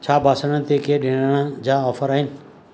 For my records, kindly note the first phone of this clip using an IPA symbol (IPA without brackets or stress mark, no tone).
t͡ɕʰ